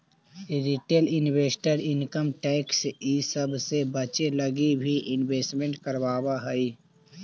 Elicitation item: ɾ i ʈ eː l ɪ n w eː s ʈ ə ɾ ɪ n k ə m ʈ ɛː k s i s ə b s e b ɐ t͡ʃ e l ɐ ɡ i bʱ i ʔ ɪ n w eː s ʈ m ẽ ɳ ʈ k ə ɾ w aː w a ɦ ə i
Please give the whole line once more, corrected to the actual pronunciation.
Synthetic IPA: ɾ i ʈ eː l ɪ n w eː s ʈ ə ɾ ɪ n k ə m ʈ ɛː k s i s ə b s e b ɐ t͡ʃ e l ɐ ɡ i bʱ i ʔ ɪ n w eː s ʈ m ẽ ɳ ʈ k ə ɾ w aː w a ɦ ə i

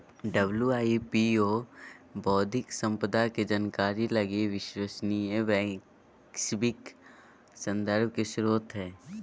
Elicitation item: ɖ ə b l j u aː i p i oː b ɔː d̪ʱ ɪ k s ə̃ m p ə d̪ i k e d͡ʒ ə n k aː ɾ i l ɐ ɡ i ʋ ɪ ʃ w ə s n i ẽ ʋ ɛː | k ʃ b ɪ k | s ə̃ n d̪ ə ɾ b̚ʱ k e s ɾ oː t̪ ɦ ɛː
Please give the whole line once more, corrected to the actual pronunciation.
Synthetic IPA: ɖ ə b l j u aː i p i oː b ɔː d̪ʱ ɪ k s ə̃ m p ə d̪ a k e d͡ʒ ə n k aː ɾ i l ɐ ɡ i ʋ ɪ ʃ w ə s n i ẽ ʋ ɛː | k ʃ b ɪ k | s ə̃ n d̪ ə ɾ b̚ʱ k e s ɾ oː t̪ ɦ ɛː

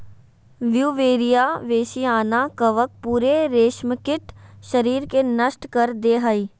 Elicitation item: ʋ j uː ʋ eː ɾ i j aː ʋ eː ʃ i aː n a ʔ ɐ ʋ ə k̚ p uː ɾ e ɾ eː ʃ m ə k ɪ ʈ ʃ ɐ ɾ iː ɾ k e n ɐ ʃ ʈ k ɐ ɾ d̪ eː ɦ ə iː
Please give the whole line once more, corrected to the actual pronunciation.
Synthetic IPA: ʋ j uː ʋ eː ɾ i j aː ʋ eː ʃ i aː n a k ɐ ʋ ə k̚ p uː ɾ e ɾ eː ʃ m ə k ɪ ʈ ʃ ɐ ɾ iː ɾ k e n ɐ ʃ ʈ k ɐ ɾ d̪ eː ɦ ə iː

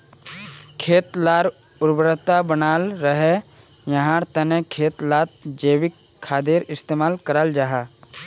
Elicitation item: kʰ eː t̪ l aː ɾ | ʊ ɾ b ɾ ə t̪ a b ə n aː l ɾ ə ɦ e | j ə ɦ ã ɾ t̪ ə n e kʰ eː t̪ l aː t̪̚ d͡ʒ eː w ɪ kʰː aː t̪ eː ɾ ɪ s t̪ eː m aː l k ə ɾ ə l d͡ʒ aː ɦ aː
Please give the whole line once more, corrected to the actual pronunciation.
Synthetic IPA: kʰ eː t̪ l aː ɾ | ʊ ɾ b ɾ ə t̪ a b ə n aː l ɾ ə ɦ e | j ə ɦ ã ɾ t̪ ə n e kʰ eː t̪ l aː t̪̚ d͡ʒ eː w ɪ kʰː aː d̪ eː ɾ ɪ s t̪ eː m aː l k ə ɾ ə l d͡ʒ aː ɦ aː

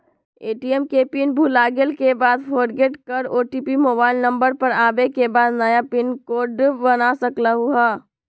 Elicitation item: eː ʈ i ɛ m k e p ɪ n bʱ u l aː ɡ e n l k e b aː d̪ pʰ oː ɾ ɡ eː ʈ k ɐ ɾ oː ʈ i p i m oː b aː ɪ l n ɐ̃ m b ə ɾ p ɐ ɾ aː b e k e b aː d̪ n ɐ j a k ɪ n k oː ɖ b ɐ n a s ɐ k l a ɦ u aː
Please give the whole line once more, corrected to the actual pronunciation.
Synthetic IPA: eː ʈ i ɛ m k e p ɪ n bʱ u l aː ɡ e l k e b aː d̪ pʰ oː ɾ ɡ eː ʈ k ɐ ɾ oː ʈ i p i m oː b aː ɪ l n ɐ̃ m b ə ɾ p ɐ ɾ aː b e k e b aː d̪ n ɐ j a p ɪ n k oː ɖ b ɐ n a s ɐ k l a ɦ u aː

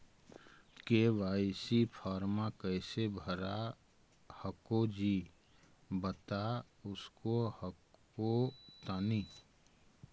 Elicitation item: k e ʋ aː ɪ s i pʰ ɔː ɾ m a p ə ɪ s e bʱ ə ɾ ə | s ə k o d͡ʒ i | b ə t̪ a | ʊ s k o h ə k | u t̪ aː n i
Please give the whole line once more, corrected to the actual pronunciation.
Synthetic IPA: k e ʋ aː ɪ s i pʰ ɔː ɾ m a k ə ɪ s e bʱ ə ɾ a | h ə k o d͡ʒ i | b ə t̪ a | ʊ s k o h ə k | o t̪ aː n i

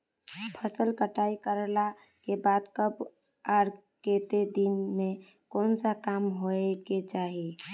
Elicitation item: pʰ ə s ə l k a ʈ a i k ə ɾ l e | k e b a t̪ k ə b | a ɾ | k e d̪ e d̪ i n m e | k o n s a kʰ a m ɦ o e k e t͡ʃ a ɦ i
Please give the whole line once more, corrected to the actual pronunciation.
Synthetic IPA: pʰ ə s ə l k ə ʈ a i k ə ɾ l a | k e b a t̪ k ə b | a ɾ | k e t̪ e d̪ i n m e | k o n s a k a m ɦ o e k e t͡ʃ a ɦ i

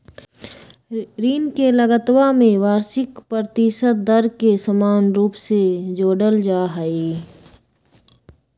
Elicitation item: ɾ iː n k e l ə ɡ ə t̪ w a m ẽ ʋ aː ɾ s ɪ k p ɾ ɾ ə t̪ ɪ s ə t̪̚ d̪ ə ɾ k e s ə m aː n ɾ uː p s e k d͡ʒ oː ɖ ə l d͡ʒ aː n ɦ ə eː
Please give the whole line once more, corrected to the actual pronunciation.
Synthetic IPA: ɾ iː n k e l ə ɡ ə t̪ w a m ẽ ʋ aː ɾ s ɪ k p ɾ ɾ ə t̪ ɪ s ə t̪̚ d̪ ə ɾ k e s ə m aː n ɾ uː p s e d͡ʒ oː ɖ ə l d͡ʒ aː ɦ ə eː

